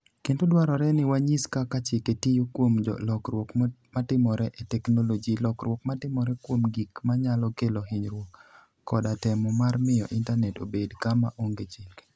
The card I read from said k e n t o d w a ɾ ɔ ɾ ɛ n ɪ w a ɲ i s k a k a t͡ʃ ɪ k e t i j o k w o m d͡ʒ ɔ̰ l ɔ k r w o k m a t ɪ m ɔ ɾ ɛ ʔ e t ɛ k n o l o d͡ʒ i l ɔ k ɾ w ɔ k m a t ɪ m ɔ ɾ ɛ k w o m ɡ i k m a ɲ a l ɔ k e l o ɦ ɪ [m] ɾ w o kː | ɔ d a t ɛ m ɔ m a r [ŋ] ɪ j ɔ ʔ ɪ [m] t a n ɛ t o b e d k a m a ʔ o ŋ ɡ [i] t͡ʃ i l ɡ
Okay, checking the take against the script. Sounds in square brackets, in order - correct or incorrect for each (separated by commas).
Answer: incorrect, incorrect, incorrect, incorrect